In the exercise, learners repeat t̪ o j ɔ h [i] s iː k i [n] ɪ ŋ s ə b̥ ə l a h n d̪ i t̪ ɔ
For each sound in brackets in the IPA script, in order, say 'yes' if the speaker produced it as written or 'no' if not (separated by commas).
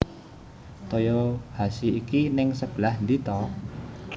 no, yes